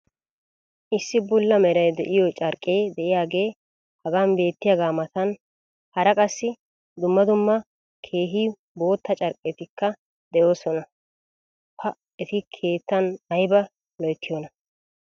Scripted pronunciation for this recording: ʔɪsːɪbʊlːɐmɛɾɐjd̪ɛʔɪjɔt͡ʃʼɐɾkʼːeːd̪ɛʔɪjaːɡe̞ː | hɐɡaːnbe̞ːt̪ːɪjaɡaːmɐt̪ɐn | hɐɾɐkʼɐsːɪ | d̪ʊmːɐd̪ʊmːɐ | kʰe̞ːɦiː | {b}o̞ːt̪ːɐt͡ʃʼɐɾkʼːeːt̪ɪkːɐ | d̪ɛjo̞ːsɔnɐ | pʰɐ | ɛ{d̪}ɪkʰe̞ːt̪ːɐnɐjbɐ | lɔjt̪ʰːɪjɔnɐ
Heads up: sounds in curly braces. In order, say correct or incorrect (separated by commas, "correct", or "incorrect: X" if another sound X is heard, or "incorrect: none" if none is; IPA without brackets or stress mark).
correct, incorrect: t̪